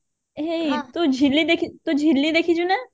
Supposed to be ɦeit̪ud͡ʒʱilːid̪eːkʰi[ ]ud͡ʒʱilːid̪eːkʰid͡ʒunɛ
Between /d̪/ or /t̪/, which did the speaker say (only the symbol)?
t̪